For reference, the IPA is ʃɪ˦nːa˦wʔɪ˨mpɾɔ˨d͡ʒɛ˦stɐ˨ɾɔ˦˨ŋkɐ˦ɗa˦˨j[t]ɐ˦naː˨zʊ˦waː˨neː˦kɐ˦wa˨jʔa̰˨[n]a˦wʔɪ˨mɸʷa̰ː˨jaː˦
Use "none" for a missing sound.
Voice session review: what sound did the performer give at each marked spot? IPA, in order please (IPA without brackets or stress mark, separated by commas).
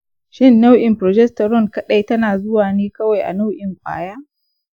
t, n